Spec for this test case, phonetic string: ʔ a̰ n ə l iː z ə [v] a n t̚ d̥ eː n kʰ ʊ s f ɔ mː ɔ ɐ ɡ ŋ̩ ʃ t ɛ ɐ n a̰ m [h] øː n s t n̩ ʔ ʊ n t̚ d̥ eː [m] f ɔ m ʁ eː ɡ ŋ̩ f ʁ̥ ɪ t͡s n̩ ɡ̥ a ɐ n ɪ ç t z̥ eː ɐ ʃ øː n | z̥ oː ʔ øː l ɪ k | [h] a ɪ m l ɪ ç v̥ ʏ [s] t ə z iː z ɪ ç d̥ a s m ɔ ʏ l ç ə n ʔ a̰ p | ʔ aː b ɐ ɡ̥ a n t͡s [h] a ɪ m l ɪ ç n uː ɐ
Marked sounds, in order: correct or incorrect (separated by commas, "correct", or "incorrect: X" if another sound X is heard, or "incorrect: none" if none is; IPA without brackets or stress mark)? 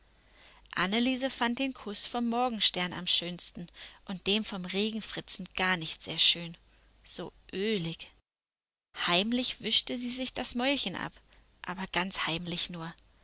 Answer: incorrect: f, incorrect: ʃ, correct, correct, incorrect: ʃ, correct